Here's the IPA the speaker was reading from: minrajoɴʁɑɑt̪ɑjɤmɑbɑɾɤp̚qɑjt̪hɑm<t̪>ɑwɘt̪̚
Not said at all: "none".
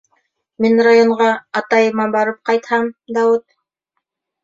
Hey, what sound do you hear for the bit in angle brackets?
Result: d̪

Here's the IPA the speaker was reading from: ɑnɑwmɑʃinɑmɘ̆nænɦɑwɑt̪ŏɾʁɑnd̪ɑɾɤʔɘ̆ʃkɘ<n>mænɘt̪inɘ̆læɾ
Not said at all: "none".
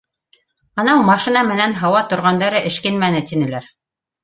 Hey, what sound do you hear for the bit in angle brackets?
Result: n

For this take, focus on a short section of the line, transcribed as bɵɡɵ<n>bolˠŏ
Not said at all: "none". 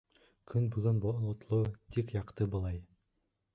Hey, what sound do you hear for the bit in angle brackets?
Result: n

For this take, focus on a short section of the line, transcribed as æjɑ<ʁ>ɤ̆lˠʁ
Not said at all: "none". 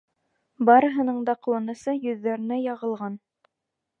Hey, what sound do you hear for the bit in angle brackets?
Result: ʁ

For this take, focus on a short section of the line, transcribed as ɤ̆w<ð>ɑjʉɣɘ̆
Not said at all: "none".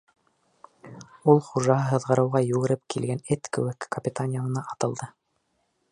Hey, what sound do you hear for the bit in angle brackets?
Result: ʁ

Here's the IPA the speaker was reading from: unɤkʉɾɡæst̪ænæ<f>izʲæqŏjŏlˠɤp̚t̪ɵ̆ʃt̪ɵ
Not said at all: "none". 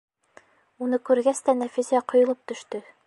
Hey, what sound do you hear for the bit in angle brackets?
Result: f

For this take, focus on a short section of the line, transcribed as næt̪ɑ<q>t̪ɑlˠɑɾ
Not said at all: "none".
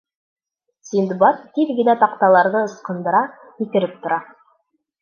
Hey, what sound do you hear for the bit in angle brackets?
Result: q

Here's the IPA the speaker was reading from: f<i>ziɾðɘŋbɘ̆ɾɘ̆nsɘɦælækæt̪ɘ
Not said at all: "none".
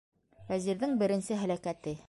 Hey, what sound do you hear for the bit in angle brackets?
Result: æ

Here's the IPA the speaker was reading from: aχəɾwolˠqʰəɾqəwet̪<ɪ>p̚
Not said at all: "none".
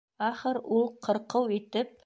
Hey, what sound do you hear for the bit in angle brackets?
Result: ɪ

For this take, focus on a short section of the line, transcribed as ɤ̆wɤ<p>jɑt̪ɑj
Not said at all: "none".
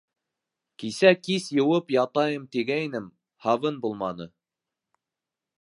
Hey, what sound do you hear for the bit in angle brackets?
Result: p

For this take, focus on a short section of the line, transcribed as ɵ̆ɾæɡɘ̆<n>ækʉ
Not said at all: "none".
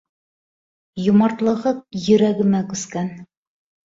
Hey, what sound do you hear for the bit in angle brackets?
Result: m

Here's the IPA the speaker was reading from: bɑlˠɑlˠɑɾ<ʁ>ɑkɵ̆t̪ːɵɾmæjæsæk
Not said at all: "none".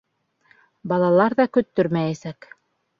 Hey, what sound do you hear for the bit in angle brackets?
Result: ð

